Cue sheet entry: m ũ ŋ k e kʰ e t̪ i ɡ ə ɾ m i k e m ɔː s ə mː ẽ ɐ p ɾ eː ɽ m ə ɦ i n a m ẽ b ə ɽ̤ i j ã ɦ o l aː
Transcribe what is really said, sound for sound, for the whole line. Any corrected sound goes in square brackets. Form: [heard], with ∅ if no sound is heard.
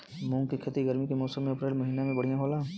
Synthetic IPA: m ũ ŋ k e kʰ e t̪ i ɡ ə ɾ m i k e m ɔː s ə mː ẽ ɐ p ɾ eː [l] m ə ɦ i n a m ẽ b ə ɽ̤ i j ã ɦ o l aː